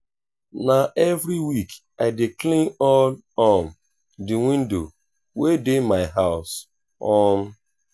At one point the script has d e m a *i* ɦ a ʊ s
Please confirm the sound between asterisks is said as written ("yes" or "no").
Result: no